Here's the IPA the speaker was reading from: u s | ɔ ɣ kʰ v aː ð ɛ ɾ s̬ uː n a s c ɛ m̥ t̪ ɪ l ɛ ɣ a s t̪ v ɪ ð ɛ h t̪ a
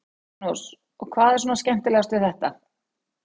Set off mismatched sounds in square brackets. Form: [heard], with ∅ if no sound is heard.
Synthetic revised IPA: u s | ɔ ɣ kʰ v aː ð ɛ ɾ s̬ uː n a s c ɛ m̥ t̪ ɪ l ɛ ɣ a s t̪ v ɪ [θ] ɛ h t̪ a